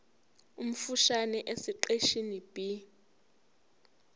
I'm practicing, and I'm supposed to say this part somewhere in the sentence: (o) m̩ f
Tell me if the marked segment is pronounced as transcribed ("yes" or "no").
no